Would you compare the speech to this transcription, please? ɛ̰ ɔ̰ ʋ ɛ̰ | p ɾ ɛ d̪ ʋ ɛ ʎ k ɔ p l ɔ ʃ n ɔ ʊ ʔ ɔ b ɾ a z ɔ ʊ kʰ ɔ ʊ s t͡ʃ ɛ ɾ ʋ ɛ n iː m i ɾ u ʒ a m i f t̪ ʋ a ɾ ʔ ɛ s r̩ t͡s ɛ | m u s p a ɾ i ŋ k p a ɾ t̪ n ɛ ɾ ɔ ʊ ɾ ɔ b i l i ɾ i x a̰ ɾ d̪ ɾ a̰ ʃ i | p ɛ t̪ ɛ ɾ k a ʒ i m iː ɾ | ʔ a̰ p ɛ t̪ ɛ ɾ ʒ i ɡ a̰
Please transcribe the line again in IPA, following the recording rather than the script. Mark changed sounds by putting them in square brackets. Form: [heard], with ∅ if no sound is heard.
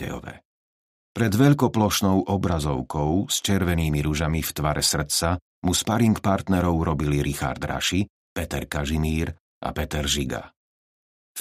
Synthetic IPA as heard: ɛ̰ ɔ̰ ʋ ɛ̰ | p ɾ ɛ d̪ ʋ ɛ ʎ k ɔ p l ɔ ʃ n ɔ ʊ ʔ ɔ b ɾ a z ɔ ʊ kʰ ɔ ʊ s t͡ʃ ɛ ɾ ʋ ɛ n iː m i ɾ u ʒ a m i f t̪ ʋ a ɾ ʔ ɛ s r̩ t͡s [a] | m u s p a ɾ i ŋ k p a ɾ t̪ n ɛ ɾ ɔ ʊ ɾ ɔ b i l i ɾ i x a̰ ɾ d̪ ɾ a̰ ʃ i | p ɛ t̪ ɛ ɾ k a ʒ i m iː ɾ | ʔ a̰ p ɛ t̪ ɛ ɾ ʒ i ɡ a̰